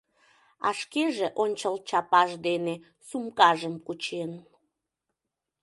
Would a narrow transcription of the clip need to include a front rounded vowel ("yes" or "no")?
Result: no